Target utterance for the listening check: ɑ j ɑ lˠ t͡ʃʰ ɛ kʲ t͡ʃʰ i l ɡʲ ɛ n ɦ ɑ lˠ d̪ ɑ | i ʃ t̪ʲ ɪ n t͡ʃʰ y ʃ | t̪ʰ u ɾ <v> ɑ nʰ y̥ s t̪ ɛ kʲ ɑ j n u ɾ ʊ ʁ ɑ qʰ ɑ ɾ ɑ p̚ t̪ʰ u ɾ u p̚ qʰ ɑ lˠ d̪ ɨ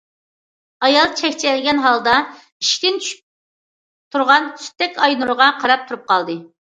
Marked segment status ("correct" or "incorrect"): incorrect